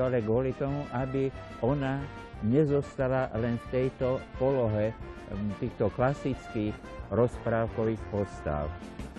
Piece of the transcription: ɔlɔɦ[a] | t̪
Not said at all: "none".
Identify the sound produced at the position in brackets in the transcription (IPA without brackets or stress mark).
ɛ